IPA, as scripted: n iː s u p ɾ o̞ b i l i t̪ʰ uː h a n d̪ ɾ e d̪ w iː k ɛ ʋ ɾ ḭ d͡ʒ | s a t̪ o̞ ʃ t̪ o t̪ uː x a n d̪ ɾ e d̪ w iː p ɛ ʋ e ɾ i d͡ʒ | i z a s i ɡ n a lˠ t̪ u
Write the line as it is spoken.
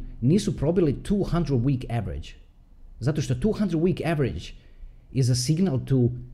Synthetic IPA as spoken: n iː s u p ɾ o̞ b i l i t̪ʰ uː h a n d̪ ɾ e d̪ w iː k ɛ ʋ ɾ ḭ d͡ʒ | z a t̪ o̞ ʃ t̪ o t̪ uː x a n d̪ ɾ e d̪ w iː k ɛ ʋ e ɾ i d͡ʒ | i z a s i ɡ n a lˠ t̪ u